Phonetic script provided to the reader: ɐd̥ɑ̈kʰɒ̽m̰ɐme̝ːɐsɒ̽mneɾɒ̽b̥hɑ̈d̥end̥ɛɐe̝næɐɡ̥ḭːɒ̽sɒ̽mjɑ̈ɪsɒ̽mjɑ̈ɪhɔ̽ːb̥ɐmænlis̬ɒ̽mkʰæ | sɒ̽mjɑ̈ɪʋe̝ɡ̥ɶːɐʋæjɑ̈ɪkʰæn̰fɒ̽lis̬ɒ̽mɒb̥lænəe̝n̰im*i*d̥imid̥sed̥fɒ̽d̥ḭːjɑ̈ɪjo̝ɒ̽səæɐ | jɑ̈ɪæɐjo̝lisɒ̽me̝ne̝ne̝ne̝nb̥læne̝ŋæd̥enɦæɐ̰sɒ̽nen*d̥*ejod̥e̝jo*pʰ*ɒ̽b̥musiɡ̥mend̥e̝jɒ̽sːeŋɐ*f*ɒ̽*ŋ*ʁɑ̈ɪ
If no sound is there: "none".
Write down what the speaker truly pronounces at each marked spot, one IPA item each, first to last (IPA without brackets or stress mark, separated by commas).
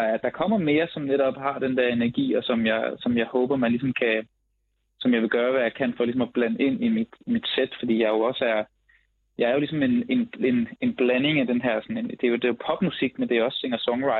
i, d̥, pʰ, s, ŋ